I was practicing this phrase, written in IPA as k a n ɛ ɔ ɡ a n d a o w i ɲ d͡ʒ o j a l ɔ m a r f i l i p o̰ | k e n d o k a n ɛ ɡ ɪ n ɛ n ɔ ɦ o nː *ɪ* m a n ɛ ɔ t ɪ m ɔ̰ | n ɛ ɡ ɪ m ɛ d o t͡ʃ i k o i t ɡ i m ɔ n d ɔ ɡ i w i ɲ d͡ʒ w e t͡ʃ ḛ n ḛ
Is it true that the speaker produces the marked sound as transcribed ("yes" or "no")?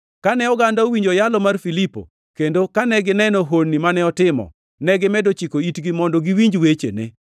no